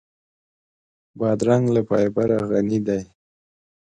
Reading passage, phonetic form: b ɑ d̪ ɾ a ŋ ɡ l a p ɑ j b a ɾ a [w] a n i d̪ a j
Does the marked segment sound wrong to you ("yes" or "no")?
yes